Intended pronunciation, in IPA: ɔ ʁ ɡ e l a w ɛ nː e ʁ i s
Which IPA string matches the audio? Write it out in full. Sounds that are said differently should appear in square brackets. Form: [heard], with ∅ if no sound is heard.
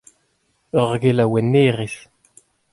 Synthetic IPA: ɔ ʁ ɡ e l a w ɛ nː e ʁ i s